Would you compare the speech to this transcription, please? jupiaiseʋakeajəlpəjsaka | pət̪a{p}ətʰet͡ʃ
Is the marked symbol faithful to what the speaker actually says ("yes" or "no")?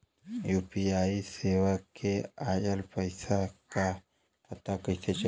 no